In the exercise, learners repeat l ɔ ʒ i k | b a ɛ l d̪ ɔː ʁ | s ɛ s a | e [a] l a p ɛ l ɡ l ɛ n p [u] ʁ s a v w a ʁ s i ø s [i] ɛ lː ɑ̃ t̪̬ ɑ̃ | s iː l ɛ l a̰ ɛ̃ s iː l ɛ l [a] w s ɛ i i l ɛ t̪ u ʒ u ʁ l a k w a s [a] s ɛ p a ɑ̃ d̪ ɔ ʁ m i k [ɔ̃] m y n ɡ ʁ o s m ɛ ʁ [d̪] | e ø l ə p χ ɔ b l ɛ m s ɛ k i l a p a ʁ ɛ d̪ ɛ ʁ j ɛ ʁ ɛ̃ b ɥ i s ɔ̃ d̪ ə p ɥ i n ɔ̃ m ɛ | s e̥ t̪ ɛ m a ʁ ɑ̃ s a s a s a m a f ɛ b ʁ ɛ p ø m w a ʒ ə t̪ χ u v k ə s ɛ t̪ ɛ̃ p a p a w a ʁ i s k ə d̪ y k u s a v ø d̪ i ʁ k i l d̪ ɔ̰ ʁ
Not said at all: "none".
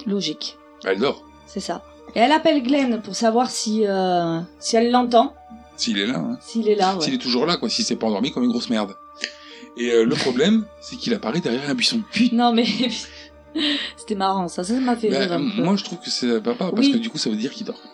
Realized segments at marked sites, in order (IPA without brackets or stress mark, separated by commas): ɛ, u, i, a, i, ɔ, d̪